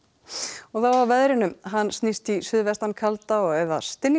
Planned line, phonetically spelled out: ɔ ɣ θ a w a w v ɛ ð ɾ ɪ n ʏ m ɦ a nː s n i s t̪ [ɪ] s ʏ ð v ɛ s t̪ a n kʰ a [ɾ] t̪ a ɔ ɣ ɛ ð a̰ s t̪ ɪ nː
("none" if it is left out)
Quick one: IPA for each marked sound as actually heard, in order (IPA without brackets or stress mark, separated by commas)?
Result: i, l